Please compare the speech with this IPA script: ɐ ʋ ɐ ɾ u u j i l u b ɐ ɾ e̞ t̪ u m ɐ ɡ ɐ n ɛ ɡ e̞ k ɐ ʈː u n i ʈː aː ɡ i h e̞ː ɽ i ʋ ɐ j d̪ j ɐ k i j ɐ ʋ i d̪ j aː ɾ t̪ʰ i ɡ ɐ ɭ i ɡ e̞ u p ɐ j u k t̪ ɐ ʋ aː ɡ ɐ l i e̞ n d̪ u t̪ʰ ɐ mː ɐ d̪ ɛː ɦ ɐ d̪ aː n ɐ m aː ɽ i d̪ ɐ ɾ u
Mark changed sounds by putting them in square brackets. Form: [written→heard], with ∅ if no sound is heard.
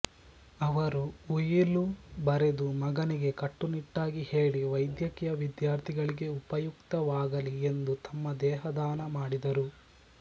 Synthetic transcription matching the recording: ɐ ʋ ɐ ɾ u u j i l u b ɐ ɾ e̞ [t̪→d̪] u m ɐ ɡ ɐ n [ɛ→i] ɡ e̞ k ɐ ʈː u n i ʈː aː ɡ i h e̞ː [ɽ→ɭ] i ʋ ɐ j d̪ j ɐ k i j ɐ ʋ i d̪ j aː ɾ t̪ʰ i ɡ ɐ ɭ i ɡ e̞ u p ɐ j u k t̪ ɐ ʋ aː ɡ ɐ l i e̞ n d̪ u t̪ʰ ɐ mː ɐ d̪ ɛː ɦ ɐ d̪ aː n ɐ m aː ɽ i d̪ ɐ ɾ u

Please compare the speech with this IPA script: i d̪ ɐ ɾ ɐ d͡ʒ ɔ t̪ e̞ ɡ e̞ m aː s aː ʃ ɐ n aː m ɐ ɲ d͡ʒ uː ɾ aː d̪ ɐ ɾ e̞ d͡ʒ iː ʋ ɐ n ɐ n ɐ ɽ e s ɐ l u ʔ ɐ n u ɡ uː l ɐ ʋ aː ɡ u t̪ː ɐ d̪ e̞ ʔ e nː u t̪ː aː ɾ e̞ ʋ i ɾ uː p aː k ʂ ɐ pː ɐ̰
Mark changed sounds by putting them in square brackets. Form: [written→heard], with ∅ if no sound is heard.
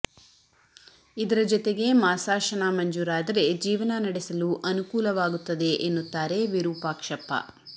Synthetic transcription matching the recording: i d̪ ɐ ɾ ɐ d͡ʒ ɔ t̪ e̞ ɡ e̞ m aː s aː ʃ ɐ n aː m ɐ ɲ d͡ʒ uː ɾ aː d̪ ɐ ɾ e̞ d͡ʒ iː ʋ ɐ n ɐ n ɐ ɽ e s ɐ l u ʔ ɐ n u [ɡ→k] uː l ɐ ʋ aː ɡ u t̪ː ɐ d̪ e̞ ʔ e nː u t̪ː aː ɾ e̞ ʋ i ɾ uː p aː k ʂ ɐ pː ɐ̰

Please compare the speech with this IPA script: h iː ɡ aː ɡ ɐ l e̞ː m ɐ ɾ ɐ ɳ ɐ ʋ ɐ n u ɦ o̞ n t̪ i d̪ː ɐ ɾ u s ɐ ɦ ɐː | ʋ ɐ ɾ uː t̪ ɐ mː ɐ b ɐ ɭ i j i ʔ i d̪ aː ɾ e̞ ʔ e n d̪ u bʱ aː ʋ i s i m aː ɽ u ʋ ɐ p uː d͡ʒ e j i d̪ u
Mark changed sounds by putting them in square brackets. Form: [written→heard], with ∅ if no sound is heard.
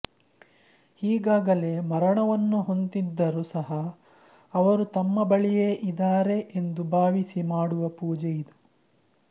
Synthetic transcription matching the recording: h iː ɡ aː ɡ ɐ l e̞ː m ɐ ɾ ɐ ɳ ɐ ʋ ɐ [n→nː] u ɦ o̞ n t̪ i d̪ː ɐ ɾ u s ɐ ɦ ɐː | ʋ ɐ ɾ [uː→u] t̪ ɐ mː ɐ b ɐ ɭ i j [i→e] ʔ i d̪ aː ɾ e̞ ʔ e n d̪ u bʱ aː ʋ i s i m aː ɽ u ʋ ɐ p uː d͡ʒ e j i d̪ u

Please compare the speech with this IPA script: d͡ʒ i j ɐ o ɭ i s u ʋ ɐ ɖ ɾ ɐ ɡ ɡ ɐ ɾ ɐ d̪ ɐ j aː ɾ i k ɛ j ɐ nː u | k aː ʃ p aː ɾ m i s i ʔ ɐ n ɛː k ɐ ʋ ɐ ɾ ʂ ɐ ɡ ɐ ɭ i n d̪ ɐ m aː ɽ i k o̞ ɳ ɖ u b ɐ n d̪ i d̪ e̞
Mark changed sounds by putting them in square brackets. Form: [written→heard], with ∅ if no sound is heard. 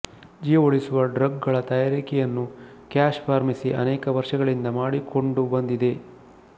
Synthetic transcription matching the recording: d͡ʒ i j ɐ o ɭ i s u ʋ ɐ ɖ ɾ ɐ ɡ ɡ ɐ [ɾ→ɭ] ɐ [d̪→t̪] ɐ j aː ɾ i k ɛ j ɐ nː u | k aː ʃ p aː ɾ m i s i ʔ ɐ n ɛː k ɐ ʋ ɐ ɾ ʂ ɐ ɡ ɐ ɭ i n d̪ ɐ m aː ɽ i k o̞ ɳ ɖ u b ɐ n d̪ i d̪ e̞

